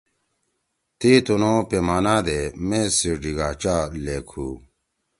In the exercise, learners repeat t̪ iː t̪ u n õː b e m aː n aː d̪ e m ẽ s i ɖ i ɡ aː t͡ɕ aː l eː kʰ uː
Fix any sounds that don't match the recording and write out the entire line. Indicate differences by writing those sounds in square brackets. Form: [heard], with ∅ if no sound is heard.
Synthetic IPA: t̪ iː t̪ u n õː [p] e m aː n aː d̪ e m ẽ s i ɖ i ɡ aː t͡ɕ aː l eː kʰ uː